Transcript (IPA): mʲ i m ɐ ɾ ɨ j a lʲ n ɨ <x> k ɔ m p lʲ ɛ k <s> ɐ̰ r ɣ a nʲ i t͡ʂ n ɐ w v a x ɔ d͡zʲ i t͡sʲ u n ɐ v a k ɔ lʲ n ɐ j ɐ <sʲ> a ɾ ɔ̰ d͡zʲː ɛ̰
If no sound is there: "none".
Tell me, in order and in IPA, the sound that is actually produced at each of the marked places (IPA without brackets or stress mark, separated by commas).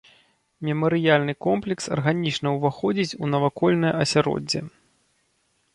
none, s, sʲ